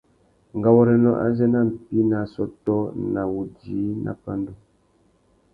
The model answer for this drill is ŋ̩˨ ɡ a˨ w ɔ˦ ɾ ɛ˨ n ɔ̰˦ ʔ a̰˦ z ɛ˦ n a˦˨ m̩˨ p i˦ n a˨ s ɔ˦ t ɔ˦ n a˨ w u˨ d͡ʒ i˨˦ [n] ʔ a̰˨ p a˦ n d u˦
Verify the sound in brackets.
correct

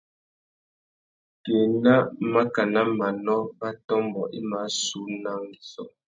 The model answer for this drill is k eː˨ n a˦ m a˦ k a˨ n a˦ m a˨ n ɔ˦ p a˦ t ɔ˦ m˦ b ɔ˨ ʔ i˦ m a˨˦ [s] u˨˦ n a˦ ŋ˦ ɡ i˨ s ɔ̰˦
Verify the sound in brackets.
correct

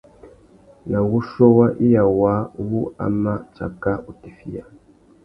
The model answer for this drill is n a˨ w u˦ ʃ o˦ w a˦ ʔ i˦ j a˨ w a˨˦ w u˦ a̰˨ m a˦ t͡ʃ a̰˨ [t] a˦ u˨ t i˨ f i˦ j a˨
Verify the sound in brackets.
incorrect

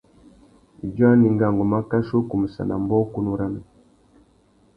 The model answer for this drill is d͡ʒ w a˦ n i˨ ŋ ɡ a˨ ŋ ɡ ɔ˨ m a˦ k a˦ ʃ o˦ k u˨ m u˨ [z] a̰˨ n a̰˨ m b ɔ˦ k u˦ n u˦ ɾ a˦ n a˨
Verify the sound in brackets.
incorrect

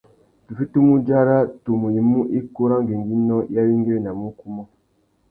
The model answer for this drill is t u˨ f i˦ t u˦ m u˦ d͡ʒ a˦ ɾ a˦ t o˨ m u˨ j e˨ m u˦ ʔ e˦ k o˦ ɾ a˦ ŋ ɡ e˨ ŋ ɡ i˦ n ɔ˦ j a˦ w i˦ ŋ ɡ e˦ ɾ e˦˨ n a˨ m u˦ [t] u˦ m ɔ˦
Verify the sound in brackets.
incorrect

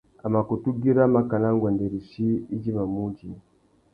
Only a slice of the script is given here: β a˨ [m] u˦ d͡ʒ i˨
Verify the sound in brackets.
correct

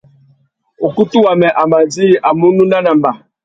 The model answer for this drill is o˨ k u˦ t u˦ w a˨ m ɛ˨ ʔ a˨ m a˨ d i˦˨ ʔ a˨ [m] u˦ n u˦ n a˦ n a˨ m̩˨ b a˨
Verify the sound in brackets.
correct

